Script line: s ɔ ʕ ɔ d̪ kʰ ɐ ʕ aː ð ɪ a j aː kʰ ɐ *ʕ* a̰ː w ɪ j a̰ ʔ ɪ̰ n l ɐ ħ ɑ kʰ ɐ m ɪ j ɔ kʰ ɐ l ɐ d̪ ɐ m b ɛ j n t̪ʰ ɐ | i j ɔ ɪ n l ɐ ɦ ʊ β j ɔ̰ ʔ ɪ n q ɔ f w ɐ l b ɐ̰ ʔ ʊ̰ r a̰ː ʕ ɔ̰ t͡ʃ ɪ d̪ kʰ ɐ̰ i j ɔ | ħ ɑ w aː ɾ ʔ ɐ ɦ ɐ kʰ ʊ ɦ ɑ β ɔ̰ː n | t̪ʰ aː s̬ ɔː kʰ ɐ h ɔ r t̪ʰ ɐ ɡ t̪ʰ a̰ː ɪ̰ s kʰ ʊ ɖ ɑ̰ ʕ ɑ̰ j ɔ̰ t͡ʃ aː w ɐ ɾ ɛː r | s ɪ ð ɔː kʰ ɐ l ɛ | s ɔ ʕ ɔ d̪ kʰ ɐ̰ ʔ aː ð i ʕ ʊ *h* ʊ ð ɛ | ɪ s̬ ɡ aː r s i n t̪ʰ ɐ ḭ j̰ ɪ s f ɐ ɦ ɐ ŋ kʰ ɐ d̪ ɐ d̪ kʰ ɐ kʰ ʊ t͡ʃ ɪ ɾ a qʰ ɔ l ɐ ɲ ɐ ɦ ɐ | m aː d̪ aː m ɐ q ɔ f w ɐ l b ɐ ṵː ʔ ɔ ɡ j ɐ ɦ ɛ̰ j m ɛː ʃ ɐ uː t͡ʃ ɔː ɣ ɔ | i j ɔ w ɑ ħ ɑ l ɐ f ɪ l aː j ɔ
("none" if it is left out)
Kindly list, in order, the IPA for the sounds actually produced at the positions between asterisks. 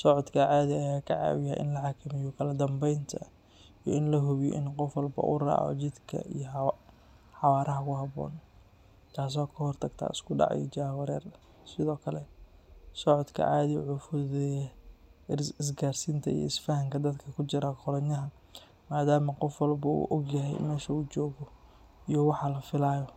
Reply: ʕ, f

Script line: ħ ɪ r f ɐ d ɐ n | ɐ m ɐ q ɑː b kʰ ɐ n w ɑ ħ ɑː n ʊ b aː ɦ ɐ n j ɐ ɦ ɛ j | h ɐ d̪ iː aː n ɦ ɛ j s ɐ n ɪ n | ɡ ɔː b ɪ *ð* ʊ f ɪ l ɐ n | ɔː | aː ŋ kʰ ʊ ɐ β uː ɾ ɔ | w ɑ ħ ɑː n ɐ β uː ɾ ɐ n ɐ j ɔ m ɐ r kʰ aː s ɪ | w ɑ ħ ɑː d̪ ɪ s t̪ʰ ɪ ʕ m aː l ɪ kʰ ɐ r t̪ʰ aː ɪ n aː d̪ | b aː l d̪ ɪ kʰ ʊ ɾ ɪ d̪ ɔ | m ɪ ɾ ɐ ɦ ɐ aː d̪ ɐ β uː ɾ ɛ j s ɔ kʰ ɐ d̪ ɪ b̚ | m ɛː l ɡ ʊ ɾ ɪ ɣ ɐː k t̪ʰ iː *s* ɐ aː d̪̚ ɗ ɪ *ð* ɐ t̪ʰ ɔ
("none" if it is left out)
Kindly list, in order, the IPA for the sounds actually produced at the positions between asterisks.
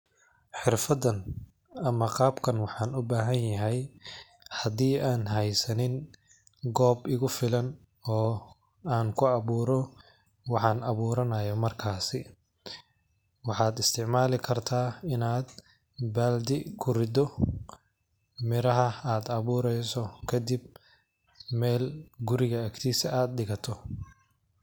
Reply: ɣ, s, ɣ

